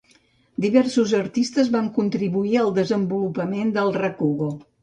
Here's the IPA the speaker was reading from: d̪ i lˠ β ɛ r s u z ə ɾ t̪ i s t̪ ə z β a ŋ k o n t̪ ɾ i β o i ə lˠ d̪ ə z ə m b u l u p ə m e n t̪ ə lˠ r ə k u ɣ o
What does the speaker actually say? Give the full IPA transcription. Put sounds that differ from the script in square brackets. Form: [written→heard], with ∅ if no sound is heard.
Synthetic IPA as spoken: d̪ i [lˠ→∅] β ɛ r s u z ə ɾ t̪ i s t̪ ə z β a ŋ k [o→u] n t̪ ɾ i β [o→u] i ə lˠ d̪ ə z ə m b u l u p ə m e n [t̪→d̪] ə lˠ r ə k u ɣ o